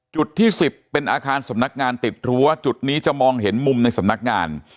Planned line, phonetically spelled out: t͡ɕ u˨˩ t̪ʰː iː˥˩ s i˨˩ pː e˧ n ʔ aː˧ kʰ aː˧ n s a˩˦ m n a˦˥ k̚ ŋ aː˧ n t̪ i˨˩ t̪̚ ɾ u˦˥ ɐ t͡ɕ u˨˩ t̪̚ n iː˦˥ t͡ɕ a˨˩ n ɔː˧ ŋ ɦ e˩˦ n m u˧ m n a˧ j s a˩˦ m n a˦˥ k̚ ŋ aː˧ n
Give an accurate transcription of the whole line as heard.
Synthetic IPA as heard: t͡ɕ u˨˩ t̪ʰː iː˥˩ s i˨˩ pː e˧ n ʔ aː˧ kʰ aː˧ n s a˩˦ m n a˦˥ k̚ ŋ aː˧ n t̪ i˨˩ t̪̚ ɾ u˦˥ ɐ t͡ɕ u˨˩ t̪̚ n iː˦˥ t͡ɕ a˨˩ m ɔː˧ ŋ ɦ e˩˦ n m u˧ m n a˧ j s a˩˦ m n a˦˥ k̚ ŋ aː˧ n

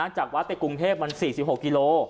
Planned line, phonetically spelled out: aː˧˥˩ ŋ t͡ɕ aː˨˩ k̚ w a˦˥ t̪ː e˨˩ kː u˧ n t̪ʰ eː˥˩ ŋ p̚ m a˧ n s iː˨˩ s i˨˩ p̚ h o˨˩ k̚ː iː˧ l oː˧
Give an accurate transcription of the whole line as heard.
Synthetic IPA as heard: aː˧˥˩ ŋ t͡ɕ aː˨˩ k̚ w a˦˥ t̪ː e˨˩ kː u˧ ŋ t̪ʰ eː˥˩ p̚ m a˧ n s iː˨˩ s i˨˩ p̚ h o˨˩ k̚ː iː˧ l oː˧

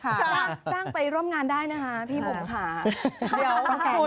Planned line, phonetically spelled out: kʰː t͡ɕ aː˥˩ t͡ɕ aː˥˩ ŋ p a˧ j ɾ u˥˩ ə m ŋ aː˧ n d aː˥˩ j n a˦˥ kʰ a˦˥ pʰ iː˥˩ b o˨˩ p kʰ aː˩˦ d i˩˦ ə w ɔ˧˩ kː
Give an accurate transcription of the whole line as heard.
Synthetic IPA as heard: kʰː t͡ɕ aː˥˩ t͡ɕ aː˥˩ ŋ p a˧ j ɾ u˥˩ ə m ŋ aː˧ n d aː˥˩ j n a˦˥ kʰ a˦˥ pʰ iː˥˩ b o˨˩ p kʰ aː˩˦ d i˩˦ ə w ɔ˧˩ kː

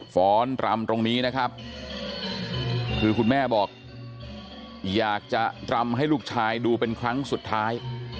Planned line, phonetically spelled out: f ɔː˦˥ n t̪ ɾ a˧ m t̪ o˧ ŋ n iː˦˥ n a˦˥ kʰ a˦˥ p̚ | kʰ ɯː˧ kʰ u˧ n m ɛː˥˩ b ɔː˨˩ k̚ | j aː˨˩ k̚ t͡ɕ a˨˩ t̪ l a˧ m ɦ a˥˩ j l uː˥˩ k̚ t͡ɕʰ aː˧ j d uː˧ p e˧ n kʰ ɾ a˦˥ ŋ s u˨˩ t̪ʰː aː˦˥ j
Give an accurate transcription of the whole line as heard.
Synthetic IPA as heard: f ɔː˦˥ n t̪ ɾ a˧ m t̪ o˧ ŋ n iː˦˥ n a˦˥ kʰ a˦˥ p̚ | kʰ ɯː˧ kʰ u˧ n m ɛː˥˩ b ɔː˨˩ k̚ | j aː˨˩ k̚ t͡ɕ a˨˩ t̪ ɾ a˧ m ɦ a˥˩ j l uː˥˩ k̚ t͡ɕʰ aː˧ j d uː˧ p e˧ n kʰ ɾ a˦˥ ŋ s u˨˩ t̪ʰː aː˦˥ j

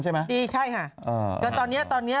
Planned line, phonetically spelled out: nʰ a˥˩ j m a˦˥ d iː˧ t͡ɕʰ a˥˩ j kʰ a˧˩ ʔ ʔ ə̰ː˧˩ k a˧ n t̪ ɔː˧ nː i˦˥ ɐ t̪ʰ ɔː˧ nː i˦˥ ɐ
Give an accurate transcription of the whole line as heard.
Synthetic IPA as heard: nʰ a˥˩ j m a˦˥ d iː˧ t͡ɕʰ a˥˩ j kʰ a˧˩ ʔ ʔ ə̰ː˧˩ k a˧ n t̪ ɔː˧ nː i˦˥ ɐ t̪ ɔː˧ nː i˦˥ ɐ

